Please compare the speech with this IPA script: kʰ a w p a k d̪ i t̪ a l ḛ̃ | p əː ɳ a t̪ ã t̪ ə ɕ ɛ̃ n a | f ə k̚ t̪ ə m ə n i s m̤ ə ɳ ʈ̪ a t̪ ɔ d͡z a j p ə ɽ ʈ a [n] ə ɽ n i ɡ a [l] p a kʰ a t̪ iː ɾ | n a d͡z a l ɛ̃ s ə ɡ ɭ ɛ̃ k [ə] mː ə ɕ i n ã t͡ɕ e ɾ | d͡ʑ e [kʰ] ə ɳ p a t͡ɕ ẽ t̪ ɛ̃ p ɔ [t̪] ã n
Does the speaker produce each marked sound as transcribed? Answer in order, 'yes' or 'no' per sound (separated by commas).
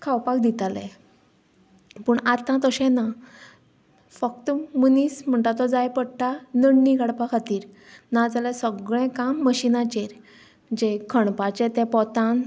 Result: yes, no, no, yes, yes